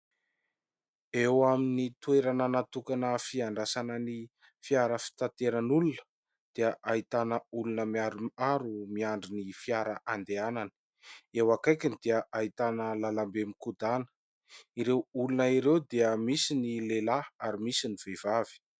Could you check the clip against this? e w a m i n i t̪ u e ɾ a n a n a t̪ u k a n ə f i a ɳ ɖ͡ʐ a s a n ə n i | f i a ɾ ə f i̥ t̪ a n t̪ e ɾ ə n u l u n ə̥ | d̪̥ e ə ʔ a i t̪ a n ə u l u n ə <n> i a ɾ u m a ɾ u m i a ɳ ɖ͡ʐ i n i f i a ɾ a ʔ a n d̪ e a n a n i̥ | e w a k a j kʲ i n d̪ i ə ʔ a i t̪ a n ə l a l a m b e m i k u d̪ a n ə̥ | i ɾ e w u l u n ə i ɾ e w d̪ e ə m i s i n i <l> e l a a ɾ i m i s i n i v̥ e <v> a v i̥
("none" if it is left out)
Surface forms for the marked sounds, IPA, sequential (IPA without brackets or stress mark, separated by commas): m, l, v